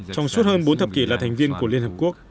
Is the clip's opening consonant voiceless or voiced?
voiceless